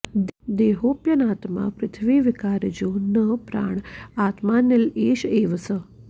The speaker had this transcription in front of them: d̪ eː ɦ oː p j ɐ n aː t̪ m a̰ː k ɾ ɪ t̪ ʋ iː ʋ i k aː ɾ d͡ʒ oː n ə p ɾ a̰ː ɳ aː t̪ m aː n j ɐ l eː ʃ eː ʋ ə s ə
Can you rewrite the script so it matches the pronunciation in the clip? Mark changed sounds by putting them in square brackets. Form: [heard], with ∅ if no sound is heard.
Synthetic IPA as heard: d̪ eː ɦ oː p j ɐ n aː t̪ m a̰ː [p] ɾ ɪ [t̪ʰ] ʋ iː ʋ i k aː ɾ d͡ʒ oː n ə p ɾ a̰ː ɳ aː t̪ m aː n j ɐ l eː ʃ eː ʋ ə s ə